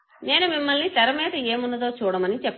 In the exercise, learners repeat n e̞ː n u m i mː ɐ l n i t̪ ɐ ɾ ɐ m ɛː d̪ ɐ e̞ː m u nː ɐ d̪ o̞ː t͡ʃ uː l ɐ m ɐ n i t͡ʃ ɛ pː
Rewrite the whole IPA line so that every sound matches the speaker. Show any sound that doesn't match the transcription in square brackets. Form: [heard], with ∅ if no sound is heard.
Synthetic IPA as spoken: n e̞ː n u m i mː ɐ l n i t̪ ɐ ɾ ɐ m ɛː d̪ ɐ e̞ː m u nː ɐ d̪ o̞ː t͡ʃ uː [ɽ] ɐ m ɐ n i t͡ʃ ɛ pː